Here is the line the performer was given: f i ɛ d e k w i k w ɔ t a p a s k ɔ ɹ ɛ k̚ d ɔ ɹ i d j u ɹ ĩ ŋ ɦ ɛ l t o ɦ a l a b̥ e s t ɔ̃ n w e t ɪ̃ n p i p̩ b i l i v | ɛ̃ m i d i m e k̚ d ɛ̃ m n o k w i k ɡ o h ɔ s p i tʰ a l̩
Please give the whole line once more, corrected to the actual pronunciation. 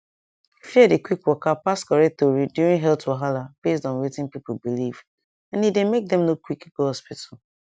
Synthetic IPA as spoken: f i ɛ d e k w i k w ɔ k a p a s k ɔ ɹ ɛ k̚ t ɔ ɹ i d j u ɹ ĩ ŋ ɦ ɛ l t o ɦ a l a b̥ e s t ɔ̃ n w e t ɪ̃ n p i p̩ b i l i v | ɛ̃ n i d e m e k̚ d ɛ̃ m n o k w i k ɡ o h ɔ s p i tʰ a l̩